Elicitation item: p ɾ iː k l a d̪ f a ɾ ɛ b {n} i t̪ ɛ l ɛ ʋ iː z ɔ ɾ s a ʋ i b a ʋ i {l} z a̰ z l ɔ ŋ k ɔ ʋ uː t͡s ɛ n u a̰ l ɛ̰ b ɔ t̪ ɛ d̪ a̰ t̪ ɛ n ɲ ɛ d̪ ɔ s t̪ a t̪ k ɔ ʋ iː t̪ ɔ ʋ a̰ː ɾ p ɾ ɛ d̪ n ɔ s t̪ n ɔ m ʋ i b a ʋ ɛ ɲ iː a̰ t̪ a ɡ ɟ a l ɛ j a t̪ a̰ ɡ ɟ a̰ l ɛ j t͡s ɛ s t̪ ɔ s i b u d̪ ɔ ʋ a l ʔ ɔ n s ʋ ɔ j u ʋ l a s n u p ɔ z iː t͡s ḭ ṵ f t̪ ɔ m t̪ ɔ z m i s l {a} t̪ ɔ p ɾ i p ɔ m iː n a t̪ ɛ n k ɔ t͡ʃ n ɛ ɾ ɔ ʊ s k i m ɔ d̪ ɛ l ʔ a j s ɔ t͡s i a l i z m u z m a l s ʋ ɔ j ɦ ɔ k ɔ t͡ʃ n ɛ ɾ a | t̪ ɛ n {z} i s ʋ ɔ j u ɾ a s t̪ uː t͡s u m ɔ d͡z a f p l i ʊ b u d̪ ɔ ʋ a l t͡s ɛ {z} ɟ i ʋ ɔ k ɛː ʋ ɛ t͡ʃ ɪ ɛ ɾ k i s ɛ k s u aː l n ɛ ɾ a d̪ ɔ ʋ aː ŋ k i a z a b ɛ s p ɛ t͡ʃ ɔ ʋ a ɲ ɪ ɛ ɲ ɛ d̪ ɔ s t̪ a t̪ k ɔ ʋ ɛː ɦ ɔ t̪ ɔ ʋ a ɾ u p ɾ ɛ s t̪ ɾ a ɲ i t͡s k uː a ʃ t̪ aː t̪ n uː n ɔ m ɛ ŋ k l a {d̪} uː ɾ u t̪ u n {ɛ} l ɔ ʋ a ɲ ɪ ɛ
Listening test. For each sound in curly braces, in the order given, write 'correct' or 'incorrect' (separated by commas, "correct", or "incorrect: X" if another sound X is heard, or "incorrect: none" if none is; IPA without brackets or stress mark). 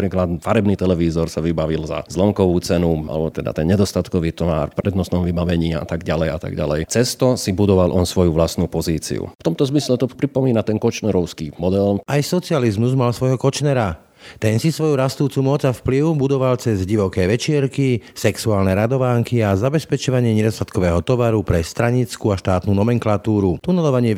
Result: correct, correct, incorrect: ɛ, incorrect: s, correct, incorrect: t̪, correct